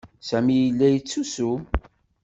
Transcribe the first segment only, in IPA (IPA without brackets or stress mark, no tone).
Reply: s